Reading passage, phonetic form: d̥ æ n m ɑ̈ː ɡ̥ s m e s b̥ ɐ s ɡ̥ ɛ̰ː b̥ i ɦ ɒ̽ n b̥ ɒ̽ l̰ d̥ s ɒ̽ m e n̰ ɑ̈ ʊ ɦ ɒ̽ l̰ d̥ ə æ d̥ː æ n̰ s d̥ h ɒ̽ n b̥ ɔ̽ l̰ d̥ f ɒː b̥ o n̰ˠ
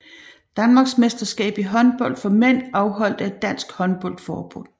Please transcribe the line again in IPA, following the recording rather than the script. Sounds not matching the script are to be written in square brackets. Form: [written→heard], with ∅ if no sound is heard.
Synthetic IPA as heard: d̥ æ n m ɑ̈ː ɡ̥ s m e s [b̥→d̥] ɐ s ɡ̥ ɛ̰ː b̥ i ɦ ɒ̽ n b̥ ɒ̽ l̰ d̥ [s→f] ɒ̽ m e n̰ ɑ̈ ʊ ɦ ɒ̽ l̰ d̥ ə æ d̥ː æ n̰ s [d̥→ɡ̥] h ɒ̽ n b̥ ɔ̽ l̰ d̥ f ɒː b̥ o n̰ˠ